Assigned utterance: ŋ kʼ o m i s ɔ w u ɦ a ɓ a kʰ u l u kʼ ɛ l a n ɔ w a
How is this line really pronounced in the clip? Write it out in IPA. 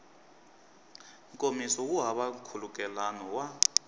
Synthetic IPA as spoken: ŋ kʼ o m i s ɔ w u ɦ a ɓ a kʰ u l u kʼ ɛ l a n ɔ w a